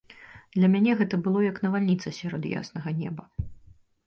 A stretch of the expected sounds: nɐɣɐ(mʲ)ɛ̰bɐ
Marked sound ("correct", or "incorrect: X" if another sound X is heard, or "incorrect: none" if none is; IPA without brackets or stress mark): incorrect: nʲ